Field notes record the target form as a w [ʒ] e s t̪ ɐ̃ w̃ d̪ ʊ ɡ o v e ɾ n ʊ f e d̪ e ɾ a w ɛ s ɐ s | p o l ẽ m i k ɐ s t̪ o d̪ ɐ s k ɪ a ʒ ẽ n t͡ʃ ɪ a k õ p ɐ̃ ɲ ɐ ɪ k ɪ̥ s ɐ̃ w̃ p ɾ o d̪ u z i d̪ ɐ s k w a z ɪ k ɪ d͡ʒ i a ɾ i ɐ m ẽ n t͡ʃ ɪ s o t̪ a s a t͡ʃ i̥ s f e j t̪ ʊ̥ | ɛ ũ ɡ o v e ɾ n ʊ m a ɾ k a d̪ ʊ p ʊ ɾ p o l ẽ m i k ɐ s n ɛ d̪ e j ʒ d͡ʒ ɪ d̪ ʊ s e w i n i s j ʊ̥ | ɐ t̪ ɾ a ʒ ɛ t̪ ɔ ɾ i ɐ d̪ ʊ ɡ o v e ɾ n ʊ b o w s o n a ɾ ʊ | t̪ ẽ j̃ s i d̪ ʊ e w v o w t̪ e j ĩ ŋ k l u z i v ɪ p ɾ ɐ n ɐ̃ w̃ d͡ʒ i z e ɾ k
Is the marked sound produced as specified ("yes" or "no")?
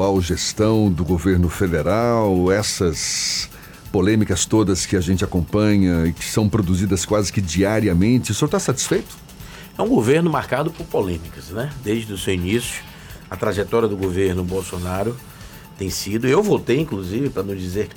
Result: yes